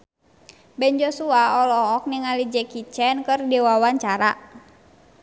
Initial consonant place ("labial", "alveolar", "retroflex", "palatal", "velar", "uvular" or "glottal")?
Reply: labial